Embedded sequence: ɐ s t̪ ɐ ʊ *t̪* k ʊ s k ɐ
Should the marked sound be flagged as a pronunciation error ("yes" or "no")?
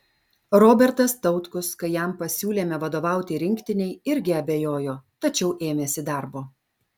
no